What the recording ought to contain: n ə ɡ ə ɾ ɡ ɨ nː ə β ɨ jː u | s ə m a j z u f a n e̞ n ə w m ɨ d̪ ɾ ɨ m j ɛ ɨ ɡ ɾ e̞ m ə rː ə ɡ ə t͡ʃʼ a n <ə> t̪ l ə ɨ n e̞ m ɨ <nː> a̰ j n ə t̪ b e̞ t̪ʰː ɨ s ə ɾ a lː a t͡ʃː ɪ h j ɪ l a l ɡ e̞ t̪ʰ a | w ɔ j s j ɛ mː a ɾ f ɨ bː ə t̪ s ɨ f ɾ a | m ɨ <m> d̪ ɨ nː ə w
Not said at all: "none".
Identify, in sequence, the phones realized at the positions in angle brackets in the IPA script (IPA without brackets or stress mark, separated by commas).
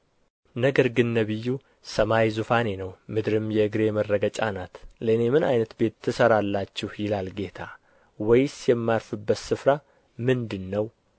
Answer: a, n, n